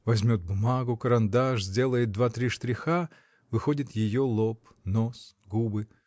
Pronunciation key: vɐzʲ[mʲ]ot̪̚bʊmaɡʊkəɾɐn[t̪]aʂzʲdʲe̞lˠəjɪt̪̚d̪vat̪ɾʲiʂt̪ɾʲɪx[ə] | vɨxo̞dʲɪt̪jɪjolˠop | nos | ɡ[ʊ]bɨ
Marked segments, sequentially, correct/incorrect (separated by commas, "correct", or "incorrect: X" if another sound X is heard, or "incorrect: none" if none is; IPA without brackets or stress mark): correct, incorrect: d̪, incorrect: a, incorrect: u